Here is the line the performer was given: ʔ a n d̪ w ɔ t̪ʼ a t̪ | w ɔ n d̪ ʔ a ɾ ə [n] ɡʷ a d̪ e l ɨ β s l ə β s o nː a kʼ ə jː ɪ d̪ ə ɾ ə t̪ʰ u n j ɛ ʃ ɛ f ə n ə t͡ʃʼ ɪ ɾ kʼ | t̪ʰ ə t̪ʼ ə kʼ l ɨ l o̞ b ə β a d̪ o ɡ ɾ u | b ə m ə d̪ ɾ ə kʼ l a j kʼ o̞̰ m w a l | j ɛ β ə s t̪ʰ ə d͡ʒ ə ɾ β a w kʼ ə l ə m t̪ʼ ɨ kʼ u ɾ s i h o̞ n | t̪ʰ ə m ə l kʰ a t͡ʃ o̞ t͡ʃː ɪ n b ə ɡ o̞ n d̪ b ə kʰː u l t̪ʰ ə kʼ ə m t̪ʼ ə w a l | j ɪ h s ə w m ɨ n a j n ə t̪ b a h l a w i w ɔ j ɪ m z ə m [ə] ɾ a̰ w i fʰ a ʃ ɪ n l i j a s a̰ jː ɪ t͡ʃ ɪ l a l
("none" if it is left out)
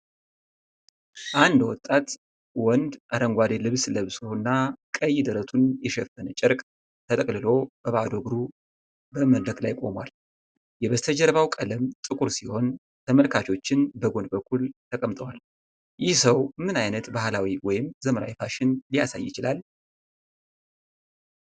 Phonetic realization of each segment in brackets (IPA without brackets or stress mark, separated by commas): ŋ, ə